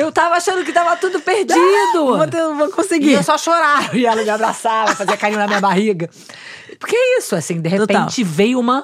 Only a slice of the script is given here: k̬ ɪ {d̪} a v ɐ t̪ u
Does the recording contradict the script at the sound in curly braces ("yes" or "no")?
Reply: yes